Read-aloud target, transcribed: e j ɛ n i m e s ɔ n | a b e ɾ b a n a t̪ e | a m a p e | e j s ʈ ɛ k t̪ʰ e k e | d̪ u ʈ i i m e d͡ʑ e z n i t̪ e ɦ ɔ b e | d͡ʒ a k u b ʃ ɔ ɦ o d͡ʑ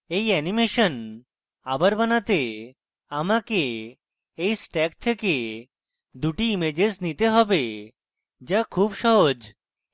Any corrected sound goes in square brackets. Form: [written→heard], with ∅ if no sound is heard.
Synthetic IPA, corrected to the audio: e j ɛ n i m e [s→ʃ] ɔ n | a b [e→a] ɾ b a n a t̪ e | a m a [p→k] e | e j s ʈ ɛ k t̪ʰ e k e | d̪ u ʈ i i m e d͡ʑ e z n i t̪ e ɦ ɔ b e | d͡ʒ a [k→kʰ] u b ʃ ɔ ɦ o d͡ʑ